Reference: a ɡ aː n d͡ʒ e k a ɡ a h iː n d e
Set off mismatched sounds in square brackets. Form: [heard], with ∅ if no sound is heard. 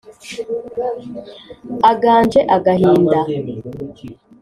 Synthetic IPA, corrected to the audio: a ɡ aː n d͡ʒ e [ʔ] a ɡ a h iː n d [a]